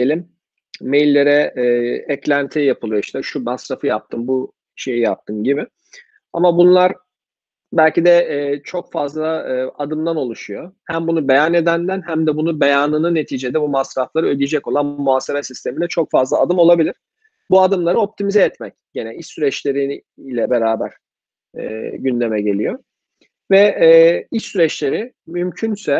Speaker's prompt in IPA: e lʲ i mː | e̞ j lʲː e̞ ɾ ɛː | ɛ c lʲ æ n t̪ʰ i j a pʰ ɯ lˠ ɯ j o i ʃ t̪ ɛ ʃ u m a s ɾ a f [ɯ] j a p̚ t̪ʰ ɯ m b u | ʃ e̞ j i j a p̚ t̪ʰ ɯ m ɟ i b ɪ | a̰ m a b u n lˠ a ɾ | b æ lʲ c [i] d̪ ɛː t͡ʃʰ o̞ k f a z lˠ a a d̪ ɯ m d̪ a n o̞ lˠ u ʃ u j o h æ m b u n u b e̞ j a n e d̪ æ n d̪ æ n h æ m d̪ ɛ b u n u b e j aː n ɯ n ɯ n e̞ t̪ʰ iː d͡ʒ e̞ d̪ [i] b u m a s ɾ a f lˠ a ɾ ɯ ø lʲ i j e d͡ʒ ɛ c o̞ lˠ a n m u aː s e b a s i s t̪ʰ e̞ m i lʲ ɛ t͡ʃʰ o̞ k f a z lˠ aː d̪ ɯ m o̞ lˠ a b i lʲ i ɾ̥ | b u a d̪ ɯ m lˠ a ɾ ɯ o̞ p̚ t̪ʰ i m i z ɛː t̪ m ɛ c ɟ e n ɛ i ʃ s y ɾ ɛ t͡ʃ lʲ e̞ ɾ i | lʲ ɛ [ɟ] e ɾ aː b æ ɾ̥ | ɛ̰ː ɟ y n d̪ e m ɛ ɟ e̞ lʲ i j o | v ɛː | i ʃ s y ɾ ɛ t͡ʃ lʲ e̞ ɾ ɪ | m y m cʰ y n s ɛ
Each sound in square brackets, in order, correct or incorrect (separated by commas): correct, correct, incorrect, incorrect